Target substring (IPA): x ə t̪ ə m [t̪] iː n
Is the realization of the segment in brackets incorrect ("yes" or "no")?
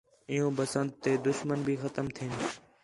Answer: yes